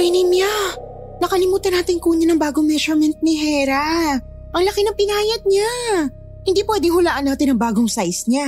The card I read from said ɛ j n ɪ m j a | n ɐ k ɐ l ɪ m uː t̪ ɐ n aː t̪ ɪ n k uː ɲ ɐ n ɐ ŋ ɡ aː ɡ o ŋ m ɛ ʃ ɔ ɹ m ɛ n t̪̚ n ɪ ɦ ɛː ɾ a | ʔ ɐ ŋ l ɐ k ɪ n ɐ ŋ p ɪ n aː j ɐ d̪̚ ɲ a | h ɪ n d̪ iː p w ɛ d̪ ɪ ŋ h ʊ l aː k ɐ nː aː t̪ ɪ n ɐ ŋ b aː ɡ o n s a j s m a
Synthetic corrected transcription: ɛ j n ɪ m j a | n ɐ k ɐ l ɪ m uː t̪ ɐ n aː t̪ ɪ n k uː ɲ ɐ n ɐ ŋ b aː ɡ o ŋ m ɛ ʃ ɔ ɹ m ɛ n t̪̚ n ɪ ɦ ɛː ɾ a | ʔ ɐ ŋ l ɐ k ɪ n ɐ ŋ p ɪ n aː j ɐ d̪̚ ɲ a | h ɪ n d̪ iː p w ɛ d̪ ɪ ŋ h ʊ l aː ʔ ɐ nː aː t̪ ɪ n ɐ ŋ b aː ɡ o ŋ s a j s ɲ a